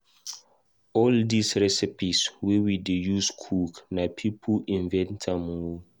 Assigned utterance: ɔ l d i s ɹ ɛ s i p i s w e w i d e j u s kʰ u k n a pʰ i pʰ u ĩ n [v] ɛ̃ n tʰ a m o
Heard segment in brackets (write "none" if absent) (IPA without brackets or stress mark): v